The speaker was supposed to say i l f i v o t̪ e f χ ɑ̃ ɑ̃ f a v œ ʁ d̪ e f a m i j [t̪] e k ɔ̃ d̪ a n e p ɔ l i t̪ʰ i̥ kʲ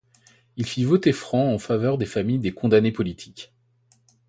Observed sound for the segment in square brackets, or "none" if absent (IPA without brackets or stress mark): d̪